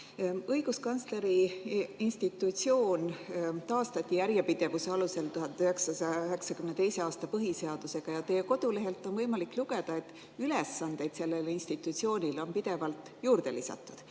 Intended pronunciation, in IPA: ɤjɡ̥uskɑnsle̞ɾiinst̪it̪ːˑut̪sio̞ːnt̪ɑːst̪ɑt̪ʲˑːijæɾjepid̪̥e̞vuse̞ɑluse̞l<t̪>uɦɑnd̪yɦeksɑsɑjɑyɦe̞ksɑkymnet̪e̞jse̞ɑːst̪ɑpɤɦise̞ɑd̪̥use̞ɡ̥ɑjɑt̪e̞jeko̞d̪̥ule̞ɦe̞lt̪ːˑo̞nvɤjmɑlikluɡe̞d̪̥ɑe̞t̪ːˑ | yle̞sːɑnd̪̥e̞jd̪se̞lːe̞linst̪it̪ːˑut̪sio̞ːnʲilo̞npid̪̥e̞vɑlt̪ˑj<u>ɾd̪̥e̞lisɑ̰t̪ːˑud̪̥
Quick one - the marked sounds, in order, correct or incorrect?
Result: correct, incorrect

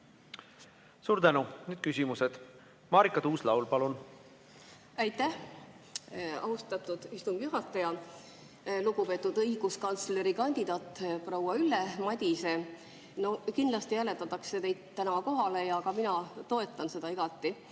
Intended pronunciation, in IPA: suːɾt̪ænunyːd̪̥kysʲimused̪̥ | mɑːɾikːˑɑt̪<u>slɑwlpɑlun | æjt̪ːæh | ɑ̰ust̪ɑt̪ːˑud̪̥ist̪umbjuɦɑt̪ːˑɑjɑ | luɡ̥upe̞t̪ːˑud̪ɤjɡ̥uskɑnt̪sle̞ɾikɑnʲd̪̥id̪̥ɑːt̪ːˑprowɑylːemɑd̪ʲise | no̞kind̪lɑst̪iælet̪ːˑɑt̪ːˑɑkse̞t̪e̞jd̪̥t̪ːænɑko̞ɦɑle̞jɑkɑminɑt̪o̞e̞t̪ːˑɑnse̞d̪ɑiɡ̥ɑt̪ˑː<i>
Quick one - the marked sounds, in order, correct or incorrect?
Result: incorrect, correct

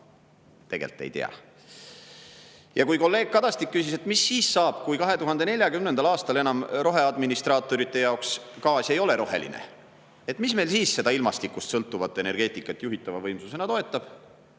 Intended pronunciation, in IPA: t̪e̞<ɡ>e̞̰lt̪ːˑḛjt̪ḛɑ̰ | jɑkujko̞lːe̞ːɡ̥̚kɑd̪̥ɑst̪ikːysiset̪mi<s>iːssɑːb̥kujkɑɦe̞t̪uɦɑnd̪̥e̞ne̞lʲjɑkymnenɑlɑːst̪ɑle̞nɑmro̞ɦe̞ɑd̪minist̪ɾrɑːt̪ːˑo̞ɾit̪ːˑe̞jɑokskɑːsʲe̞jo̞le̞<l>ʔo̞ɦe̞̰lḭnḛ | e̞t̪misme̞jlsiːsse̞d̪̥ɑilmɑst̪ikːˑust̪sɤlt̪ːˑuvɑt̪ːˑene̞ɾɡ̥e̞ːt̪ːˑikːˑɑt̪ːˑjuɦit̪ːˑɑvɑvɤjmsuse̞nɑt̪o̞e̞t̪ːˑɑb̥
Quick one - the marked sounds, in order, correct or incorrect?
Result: correct, incorrect, incorrect

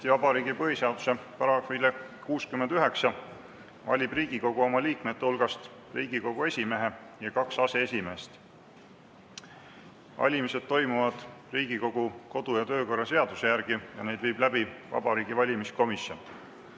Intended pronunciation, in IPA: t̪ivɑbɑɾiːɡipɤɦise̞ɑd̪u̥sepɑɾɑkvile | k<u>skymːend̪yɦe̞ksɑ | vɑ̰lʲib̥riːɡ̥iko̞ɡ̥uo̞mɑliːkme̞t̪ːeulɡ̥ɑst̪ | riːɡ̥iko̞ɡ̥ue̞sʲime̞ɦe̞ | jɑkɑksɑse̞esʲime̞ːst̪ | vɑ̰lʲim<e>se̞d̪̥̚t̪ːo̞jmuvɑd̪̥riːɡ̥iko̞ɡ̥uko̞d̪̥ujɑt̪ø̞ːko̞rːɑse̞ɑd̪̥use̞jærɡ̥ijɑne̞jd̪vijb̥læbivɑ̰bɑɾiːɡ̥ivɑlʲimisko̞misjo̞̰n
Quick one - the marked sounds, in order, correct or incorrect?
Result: incorrect, incorrect

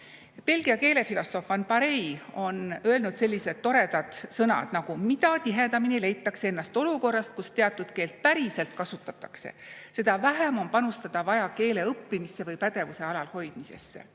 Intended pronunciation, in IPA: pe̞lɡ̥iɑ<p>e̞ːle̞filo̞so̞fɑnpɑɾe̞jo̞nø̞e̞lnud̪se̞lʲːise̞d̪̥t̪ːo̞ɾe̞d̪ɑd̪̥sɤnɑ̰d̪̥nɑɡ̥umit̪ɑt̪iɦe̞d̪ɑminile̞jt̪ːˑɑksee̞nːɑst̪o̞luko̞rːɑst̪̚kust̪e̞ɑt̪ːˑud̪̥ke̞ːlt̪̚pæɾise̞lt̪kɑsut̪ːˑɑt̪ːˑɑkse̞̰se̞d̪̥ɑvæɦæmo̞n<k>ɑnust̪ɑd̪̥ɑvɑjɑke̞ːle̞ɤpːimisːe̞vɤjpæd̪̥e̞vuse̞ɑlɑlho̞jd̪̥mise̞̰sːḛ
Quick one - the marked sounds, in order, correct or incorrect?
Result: incorrect, incorrect

